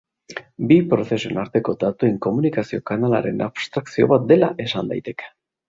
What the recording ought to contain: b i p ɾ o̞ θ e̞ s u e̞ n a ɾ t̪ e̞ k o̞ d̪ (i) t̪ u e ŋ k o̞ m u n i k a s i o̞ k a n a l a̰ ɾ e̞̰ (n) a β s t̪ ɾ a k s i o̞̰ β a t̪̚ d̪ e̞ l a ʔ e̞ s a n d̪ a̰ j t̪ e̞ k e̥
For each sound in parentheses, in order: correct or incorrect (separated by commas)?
incorrect, correct